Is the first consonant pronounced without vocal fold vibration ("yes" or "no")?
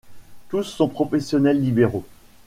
yes